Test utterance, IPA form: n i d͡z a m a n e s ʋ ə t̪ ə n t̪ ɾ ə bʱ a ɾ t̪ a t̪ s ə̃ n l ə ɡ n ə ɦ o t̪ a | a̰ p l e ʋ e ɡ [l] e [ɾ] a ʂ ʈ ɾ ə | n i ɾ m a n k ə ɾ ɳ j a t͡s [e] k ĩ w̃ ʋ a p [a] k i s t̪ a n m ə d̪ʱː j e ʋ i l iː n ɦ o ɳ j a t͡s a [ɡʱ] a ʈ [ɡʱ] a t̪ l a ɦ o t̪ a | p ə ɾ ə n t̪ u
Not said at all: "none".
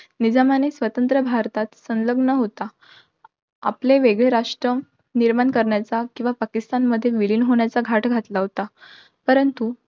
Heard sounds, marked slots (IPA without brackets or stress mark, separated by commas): ɭ, ɾ, a, a, ɡʱ, ɡʱ